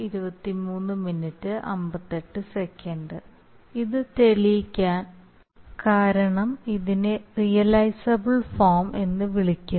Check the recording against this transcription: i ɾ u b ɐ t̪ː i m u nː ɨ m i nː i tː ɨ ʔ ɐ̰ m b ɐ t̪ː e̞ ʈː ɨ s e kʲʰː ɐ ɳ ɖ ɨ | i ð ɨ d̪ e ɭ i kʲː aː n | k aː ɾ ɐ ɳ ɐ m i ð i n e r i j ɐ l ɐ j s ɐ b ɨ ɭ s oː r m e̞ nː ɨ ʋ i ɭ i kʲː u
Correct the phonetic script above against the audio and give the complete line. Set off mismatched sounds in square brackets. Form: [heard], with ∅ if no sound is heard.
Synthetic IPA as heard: i ɾ u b ɐ t̪ː i m [uː] nː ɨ m i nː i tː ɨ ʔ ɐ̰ m b ɐ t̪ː e̞ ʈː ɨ s e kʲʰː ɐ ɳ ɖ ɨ | i ð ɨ [t̪] e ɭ i kʲː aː n | k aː ɾ ɐ ɳ ɐ m i ð i n e r i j ɐ l ɐ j s ɐ b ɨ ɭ [f] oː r m e̞ nː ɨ ʋ i ɭ i kʲː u

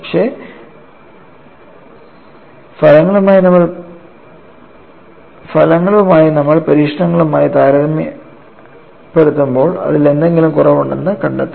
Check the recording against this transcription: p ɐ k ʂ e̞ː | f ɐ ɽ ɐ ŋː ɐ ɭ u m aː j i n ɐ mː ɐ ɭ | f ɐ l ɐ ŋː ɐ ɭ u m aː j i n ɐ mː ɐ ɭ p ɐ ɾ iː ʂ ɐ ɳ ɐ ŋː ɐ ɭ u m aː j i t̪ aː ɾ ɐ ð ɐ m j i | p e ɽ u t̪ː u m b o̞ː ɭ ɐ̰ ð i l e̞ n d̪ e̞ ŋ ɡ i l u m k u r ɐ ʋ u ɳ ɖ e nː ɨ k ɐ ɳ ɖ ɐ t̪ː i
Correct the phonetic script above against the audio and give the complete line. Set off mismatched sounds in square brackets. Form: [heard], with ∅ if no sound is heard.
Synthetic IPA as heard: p ɐ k ʂ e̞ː | f ɐ [l] ɐ ŋː ɐ ɭ u m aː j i n ɐ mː ɐ ɭ | f ɐ l ɐ ŋː ɐ ɭ u m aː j i n ɐ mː ɐ ɭ p ɐ ɾ iː ʂ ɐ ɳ ɐ ŋː ɐ ɭ u m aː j i t̪ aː ɾ ɐ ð ɐ m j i | p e ɽ u t̪ː u m b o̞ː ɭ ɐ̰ ð i l e̞ n d̪ e̞ ŋ ɡ i l u m k u r ɐ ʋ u ɳ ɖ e nː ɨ k ɐ ɳ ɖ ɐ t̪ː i

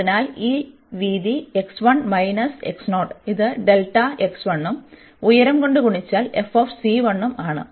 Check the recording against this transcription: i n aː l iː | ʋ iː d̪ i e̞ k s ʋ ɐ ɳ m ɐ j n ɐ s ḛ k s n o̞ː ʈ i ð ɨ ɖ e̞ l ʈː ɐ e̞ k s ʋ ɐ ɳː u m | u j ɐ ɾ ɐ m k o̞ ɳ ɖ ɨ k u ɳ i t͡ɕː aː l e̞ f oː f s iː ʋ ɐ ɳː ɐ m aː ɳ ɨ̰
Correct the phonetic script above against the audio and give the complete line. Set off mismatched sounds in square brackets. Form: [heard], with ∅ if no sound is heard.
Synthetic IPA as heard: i n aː l iː | ʋ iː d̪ i e̞ k s ʋ ɐ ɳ m ɐ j n ɐ s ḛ k s n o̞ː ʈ i ð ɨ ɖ e̞ l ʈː ɐ e̞ k s ʋ ɐ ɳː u m | u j ɐ ɾ ɐ m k o̞ ɳ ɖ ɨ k u ɳ i t͡ɕː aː l e̞ f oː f s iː ʋ ɐ ɳː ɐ m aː ɳ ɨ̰

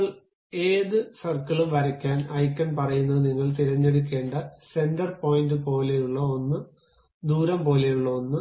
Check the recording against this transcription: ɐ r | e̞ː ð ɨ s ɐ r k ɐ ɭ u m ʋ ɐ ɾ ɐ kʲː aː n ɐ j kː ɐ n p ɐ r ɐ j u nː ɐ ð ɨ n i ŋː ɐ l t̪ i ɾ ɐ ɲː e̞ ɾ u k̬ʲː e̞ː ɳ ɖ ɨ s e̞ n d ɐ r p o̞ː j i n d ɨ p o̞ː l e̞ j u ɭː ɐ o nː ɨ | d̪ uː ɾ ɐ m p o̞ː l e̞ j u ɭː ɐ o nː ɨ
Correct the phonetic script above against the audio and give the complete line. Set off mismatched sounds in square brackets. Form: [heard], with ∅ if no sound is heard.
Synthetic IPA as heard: ɐ [ɭ] | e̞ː ð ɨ s ɐ r k ɐ ɭ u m ʋ ɐ ɾ ɐ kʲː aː n ɐ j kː ɐ n p ɐ r ɐ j u nː ɐ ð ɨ n i ŋː ɐ [ɭ] t̪ i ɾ ɐ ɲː e̞ [ɽ] u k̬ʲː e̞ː ɳ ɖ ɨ s e̞ n d ɐ r p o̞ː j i n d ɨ p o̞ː l e̞ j u ɭː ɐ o nː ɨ | d̪ uː ɾ ɐ m p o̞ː l e̞ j u ɭː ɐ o nː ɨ

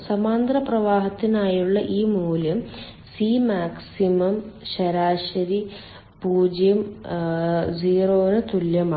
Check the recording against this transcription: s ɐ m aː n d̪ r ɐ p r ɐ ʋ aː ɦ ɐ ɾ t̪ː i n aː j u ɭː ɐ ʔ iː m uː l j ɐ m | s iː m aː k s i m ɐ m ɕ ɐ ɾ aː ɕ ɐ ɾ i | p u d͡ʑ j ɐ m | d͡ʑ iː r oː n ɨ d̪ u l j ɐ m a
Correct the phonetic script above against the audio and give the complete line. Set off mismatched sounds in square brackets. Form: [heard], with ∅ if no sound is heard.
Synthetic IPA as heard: s ɐ m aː n d̪ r ɐ p r ɐ ʋ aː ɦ ɐ [∅] t̪ː i n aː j u ɭː ɐ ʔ iː m uː l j ɐ m | s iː m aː k s i m ɐ m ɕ ɐ ɾ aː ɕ ɐ ɾ i | p [uː] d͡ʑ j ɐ m | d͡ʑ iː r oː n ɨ [t̪] u l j ɐ m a

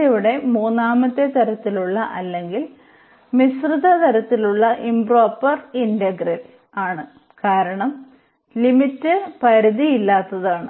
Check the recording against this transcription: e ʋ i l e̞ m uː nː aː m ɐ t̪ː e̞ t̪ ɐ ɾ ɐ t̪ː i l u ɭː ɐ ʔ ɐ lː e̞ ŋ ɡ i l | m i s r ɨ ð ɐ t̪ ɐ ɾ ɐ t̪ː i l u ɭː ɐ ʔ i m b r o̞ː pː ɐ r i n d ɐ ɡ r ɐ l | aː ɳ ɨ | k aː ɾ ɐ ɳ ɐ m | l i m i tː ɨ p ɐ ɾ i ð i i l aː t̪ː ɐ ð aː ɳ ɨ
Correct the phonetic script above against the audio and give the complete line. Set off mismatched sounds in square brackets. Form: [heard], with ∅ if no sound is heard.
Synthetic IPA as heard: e ʋ i [ɽ] e̞ m uː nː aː m ɐ t̪ː e̞ t̪ ɐ ɾ ɐ t̪ː i l u ɭː ɐ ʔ ɐ lː e̞ ŋ ɡ i l | m i s r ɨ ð ɐ t̪ ɐ ɾ ɐ t̪ː i l u ɭː ɐ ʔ i m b r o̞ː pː ɐ r i n d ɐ ɡ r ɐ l | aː ɳ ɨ | k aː ɾ ɐ ɳ ɐ m | l i m i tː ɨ p ɐ ɾ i ð i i [lː] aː t̪ː ɐ ð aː ɳ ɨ

